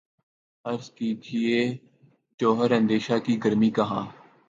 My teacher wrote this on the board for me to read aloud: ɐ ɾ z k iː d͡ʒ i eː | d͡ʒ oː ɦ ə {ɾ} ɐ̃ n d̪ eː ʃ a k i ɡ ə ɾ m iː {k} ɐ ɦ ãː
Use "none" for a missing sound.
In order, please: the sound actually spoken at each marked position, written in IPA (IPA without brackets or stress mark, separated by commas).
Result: ɾ, k